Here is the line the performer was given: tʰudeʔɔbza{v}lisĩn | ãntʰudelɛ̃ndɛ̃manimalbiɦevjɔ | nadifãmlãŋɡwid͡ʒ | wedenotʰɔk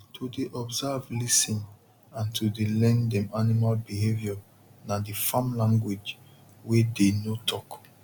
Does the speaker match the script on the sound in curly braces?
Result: yes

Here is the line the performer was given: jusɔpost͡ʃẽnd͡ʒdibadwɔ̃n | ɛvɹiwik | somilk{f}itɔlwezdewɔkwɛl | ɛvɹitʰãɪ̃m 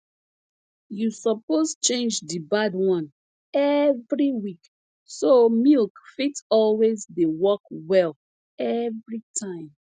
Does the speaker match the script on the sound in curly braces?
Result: yes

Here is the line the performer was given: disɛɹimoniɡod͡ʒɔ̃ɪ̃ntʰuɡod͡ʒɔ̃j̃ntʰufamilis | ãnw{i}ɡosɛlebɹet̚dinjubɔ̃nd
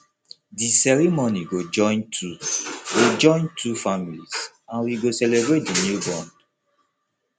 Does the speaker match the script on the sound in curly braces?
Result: yes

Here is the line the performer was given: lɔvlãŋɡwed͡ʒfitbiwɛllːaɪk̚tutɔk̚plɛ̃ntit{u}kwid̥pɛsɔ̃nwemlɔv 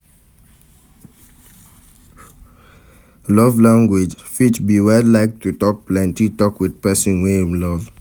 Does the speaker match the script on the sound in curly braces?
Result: no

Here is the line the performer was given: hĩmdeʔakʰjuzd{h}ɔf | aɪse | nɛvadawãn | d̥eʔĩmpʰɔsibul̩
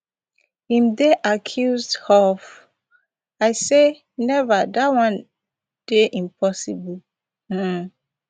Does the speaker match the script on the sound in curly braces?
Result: yes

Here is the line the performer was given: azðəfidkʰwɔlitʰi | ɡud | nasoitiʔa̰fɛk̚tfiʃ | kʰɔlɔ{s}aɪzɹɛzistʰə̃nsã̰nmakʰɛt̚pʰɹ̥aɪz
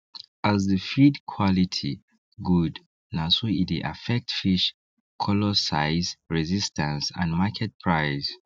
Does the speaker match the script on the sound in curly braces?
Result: yes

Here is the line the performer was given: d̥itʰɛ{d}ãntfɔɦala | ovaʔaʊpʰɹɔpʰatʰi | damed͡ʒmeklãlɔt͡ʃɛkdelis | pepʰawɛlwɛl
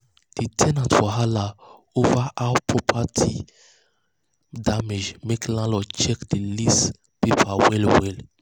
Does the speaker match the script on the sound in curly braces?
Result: no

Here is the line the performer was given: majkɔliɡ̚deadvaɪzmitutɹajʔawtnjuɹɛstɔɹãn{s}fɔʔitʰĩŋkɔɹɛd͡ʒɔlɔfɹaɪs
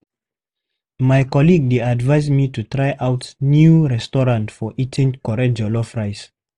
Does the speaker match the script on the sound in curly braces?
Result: no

